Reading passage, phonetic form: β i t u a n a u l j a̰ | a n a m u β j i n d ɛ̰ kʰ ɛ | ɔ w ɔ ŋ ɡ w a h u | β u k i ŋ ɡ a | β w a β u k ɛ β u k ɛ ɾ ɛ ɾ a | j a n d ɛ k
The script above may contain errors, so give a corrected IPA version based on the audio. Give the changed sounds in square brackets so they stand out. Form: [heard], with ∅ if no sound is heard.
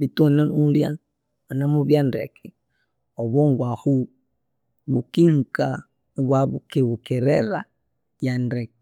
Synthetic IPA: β i t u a n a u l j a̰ | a n a m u β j [a] n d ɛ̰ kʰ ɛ | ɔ [β] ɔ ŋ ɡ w a h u | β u k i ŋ [k] a | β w a β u k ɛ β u k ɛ ɾ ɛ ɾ a | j a n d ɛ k